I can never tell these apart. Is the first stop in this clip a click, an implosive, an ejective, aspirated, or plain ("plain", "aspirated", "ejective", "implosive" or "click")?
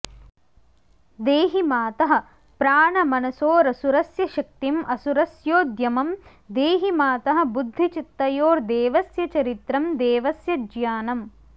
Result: plain